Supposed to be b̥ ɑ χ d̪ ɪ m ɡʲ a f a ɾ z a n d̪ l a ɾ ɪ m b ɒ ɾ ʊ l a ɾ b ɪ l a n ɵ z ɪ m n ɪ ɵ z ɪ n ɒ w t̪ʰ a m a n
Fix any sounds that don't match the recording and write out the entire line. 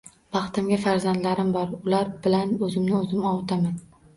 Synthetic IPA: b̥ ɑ χ t̪ ɪ m ɡʲ a f a ɾ z a n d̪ l a ɾ ɪ m b ɒ ɾ ʊ l a ɾ b ɪ l a n ɵ z ɪ m n ɪ ɵ z ɪ m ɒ w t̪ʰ a m a n